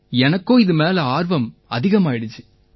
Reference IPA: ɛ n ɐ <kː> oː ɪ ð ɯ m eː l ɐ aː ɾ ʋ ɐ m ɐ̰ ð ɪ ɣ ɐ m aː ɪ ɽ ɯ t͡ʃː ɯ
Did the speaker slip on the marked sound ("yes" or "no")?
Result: no